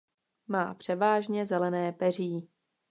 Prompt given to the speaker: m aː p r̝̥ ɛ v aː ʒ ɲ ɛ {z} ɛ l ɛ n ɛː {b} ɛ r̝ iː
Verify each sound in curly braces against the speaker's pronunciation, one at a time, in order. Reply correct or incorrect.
correct, incorrect: p

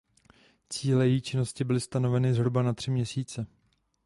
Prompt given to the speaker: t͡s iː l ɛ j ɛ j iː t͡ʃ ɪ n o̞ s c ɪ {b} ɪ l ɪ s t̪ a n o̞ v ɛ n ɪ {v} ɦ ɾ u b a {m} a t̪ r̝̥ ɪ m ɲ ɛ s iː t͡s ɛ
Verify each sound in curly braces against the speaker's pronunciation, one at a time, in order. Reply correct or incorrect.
correct, incorrect: z, incorrect: n

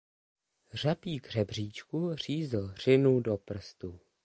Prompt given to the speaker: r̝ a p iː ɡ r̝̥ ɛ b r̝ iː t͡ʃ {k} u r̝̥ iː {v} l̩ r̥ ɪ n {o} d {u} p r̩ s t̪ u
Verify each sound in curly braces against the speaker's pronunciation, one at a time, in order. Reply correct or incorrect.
correct, incorrect: z, incorrect: u, incorrect: o

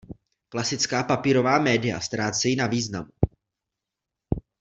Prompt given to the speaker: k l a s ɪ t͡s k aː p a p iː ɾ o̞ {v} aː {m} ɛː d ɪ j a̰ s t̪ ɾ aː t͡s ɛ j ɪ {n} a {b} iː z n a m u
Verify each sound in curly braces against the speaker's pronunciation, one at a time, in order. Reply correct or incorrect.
correct, correct, correct, incorrect: v

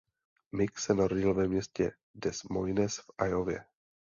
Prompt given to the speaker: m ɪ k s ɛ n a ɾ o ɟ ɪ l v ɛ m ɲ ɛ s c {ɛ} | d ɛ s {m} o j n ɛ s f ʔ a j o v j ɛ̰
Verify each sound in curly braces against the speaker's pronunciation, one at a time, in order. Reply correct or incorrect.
correct, correct

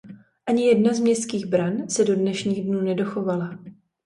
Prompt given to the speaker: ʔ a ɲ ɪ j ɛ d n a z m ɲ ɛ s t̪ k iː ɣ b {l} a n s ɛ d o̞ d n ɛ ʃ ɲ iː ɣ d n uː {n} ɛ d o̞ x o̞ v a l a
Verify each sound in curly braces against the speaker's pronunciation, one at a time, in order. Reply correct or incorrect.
incorrect: ɾ, correct

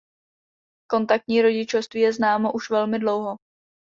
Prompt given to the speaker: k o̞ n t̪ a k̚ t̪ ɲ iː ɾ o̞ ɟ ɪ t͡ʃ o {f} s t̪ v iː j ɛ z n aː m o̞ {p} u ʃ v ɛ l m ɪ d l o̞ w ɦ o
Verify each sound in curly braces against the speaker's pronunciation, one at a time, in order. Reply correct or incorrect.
correct, incorrect: ʔ

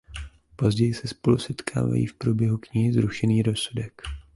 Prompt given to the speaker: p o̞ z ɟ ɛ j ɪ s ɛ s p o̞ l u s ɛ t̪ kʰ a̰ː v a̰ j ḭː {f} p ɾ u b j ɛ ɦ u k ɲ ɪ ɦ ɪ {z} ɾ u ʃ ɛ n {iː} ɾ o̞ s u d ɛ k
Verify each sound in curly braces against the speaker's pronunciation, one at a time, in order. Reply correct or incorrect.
correct, correct, correct

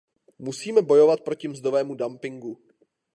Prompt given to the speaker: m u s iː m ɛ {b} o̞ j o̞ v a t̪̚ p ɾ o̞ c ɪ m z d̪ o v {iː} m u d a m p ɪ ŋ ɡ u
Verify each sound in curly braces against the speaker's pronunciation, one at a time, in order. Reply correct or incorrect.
correct, incorrect: ɛː

